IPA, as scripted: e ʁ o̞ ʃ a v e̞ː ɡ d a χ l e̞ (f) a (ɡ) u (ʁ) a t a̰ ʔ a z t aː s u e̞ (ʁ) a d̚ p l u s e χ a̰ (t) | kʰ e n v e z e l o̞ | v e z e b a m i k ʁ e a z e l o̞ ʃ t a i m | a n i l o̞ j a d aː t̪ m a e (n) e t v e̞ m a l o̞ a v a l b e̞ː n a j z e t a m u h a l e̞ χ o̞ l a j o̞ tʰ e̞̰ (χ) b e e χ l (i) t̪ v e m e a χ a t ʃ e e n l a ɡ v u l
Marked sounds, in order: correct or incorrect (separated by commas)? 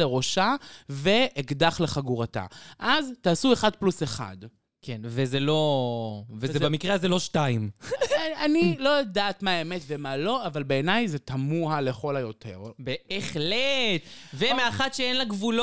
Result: incorrect, correct, correct, incorrect, incorrect, incorrect, incorrect, incorrect